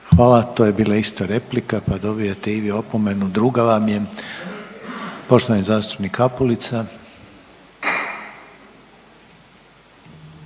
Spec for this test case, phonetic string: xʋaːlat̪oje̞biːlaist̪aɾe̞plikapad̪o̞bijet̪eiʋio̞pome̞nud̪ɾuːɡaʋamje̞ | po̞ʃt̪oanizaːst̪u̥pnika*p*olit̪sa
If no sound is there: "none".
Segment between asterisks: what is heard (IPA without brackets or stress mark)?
p